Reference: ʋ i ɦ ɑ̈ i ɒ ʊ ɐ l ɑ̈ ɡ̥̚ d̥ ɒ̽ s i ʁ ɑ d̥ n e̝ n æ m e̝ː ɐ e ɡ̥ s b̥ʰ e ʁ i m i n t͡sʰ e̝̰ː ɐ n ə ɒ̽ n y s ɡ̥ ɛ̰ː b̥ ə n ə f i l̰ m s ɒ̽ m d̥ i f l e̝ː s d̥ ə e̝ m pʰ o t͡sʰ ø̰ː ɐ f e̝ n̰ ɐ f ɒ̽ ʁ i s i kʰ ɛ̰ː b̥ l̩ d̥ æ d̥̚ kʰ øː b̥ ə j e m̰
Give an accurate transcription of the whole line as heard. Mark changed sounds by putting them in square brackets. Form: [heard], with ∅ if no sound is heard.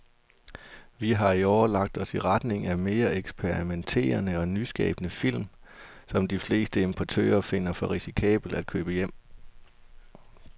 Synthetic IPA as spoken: ʋ i ɦ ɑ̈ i ɒ ʊ ɐ l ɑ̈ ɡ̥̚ d̥ ɒ̽ s i ʁ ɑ d̥ n e̝ [ŋ] æ m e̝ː ɐ e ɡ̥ s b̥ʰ e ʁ i m [e] n t͡sʰ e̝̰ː ɐ n ə ɒ̽ n y s ɡ̥ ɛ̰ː b̥ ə n ə f i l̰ m s ɒ̽ m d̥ i f l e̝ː s d̥ ə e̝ m pʰ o t͡sʰ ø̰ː ɐ f e̝ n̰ ɐ f ɒ̽ ʁ i s i kʰ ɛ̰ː b̥ l̩ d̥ æ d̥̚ kʰ øː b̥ ə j e m̰

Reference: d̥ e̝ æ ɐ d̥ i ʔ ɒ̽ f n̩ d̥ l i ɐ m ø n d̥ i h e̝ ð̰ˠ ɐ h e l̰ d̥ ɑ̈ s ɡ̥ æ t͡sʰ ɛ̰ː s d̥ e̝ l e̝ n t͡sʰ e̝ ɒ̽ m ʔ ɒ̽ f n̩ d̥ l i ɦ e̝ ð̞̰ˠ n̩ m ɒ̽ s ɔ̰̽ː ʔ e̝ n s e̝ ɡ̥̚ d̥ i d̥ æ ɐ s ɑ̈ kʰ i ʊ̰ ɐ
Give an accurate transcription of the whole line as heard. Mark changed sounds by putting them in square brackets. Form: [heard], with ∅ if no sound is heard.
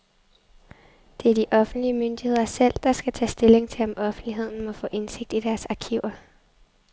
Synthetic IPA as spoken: d̥ e̝ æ ɐ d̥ i ʔ ɒ̽ f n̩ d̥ l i [ə] m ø n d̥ i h e̝ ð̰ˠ ɐ [s] e l̰ d̥ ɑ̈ s ɡ̥ æ t͡sʰ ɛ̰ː s d̥ e̝ l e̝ [ŋ] t͡sʰ e̝ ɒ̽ m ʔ ɒ̽ f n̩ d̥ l i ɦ e̝ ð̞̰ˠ n̩ m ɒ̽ [f] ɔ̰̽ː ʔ e̝ n s e̝ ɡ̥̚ d̥ i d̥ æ ɐ s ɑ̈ kʰ i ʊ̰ ɐ

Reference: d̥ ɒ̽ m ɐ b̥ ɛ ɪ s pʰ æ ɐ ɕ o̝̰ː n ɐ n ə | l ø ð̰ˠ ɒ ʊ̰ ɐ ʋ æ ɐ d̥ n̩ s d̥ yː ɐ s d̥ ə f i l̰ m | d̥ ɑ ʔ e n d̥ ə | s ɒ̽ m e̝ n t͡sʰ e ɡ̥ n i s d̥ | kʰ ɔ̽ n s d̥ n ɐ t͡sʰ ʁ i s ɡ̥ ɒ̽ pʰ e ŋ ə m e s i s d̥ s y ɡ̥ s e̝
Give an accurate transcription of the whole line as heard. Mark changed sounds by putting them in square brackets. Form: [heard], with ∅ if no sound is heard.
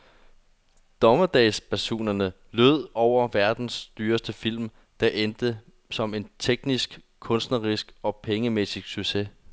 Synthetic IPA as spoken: d̥ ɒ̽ m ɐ [d̥] ɛ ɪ s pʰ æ ɐ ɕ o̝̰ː n ɐ n ə | l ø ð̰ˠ ɒ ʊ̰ ɐ ʋ æ ɐ d̥ n̩ s d̥ yː ɐ s d̥ ə f i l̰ m | d̥ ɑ ʔ e n d̥ ə | s ɒ̽ m e̝ n t͡sʰ e ɡ̥ n i s [ɡ̥] | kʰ ɔ̽ n s d̥ n ɐ [∅] ʁ i s ɡ̥ ɒ̽ pʰ e ŋ ə m e s i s [ɡ̥] s y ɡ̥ s e̝

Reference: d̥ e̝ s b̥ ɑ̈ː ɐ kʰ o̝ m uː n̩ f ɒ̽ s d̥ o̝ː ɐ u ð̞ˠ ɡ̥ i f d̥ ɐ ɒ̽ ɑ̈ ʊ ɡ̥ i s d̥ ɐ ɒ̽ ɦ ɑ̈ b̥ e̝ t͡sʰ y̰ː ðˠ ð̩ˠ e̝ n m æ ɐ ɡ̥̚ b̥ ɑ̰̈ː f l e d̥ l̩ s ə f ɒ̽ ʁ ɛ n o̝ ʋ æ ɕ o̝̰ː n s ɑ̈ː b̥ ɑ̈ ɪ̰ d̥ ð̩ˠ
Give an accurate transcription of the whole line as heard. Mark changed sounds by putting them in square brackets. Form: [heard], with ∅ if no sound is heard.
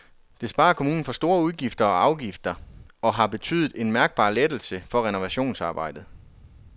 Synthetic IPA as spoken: d̥ e̝ s b̥ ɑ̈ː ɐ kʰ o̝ m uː n̩ f ɒ̽ s d̥ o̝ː ɐ u ð̞ˠ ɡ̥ i f d̥ ɐ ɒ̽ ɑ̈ ʊ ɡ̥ i [f] d̥ ɐ ɒ̽ ɦ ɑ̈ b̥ e̝ t͡sʰ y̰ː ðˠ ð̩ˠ e̝ n m æ ɐ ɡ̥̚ b̥ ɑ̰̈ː [∅] l e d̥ l̩ s ə f ɒ̽ ʁ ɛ n o̝ ʋ æ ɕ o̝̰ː n s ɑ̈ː b̥ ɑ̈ ɪ̰ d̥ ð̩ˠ

